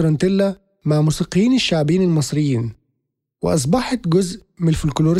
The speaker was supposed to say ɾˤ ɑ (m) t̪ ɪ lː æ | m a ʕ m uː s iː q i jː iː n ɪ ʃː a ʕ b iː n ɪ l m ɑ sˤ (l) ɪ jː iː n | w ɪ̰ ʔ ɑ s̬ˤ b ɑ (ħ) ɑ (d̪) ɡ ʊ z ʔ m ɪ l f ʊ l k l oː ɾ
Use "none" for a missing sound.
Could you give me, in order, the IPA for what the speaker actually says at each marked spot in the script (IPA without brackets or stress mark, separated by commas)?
n, ɾ, ħ, t̪